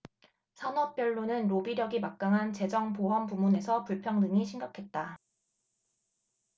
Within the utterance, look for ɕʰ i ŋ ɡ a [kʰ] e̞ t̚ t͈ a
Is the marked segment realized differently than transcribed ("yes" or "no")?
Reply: no